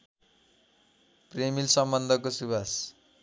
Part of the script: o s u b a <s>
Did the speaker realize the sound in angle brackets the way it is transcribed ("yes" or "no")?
yes